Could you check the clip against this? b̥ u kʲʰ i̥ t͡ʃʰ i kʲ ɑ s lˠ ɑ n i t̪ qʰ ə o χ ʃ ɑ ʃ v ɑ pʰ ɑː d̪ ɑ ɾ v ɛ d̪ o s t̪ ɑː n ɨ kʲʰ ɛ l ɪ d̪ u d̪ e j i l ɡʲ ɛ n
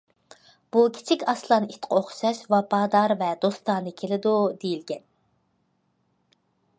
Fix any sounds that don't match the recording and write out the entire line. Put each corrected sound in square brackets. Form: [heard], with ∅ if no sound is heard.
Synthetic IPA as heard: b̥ u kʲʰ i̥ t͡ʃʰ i kʲ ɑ s lˠ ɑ n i t̪ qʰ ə o χ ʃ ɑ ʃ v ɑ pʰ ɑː d̪ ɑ ɾ v ɛ d̪ o s t̪ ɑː n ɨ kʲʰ [e] l ɪ d̪ u d̪ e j i l ɡʲ ɛ n